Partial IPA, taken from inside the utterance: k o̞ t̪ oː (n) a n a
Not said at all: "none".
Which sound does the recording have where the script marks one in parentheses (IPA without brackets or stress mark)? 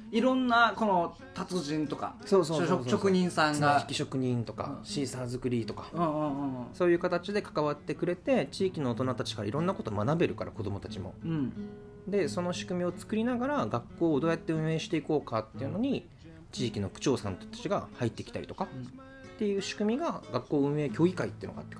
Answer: m